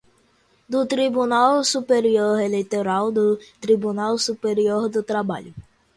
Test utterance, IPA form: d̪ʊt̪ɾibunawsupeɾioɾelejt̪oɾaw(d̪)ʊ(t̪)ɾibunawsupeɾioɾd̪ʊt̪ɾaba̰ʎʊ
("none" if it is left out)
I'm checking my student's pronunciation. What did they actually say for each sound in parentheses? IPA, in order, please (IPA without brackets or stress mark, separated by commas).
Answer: d̪, t̪